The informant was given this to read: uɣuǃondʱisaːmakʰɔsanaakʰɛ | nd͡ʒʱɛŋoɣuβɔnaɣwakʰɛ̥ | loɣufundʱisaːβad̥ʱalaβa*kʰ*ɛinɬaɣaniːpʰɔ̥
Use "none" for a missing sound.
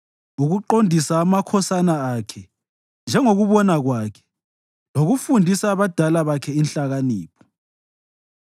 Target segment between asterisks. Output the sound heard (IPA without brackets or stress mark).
kʰ